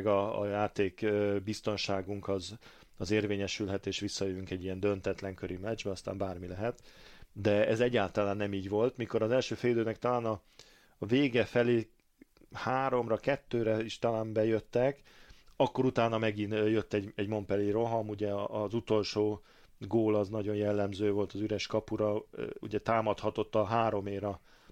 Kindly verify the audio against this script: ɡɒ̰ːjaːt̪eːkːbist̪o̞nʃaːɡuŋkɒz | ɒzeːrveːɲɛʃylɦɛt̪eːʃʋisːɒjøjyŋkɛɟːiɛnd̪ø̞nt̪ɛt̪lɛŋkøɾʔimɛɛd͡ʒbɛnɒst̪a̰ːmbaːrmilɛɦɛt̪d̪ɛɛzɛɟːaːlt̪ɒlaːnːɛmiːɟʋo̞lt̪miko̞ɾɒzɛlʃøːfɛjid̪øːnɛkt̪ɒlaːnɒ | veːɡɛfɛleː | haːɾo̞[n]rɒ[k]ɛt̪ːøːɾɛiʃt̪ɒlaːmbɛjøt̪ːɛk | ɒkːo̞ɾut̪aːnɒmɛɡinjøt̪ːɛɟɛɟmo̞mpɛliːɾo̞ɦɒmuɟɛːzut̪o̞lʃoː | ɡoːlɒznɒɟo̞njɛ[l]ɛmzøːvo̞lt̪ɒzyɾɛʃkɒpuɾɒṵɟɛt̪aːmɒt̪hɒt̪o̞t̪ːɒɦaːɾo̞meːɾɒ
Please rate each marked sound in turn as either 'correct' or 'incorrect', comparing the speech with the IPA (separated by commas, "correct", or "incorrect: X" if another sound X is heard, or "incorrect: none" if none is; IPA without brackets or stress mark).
incorrect: m, correct, incorrect: lː